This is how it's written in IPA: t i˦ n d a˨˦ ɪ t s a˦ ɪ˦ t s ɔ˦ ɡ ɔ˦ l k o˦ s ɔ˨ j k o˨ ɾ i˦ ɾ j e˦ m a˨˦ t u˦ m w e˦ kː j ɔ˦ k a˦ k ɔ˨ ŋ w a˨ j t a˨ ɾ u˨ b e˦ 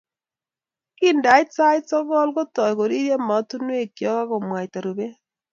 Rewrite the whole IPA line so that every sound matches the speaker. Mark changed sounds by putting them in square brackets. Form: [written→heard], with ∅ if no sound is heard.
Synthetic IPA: [t→k] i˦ n d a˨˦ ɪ t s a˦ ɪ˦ t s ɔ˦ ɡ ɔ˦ l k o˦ [s→t] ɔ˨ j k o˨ ɾ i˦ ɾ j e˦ m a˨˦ t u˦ [m→n] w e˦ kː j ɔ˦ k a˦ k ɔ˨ [ŋ→m] w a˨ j t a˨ ɾ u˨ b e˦